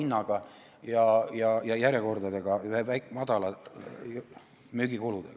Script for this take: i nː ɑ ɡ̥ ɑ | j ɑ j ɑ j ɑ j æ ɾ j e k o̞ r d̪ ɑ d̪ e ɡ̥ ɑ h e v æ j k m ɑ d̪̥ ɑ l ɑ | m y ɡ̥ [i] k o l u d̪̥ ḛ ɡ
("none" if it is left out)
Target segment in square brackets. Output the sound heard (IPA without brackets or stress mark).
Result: i